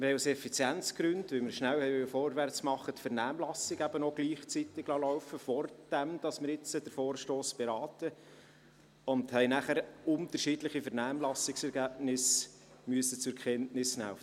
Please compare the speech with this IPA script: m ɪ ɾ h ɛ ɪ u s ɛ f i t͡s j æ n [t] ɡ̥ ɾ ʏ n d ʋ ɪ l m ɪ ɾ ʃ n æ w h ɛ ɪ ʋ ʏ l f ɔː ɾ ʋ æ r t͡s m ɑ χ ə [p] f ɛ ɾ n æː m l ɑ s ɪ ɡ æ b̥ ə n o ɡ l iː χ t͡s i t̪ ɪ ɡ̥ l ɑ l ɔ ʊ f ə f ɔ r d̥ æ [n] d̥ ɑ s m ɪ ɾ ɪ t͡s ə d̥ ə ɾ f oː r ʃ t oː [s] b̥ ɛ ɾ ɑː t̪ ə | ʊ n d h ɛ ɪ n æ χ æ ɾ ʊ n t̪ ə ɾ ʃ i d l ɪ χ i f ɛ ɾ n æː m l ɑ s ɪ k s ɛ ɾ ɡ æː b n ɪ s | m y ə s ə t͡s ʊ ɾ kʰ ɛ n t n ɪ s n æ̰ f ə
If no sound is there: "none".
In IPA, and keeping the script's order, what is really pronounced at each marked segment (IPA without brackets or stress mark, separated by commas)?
t͡s, t, m, s